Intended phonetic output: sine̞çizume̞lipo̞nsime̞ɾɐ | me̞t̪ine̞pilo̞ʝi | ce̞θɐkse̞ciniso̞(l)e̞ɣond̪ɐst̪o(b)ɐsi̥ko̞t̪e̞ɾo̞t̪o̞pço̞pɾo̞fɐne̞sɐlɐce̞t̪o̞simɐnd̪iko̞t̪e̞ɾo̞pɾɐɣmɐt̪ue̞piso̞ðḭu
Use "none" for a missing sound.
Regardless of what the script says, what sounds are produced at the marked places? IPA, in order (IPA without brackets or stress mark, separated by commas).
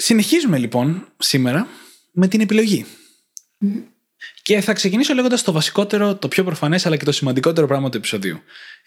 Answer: l, v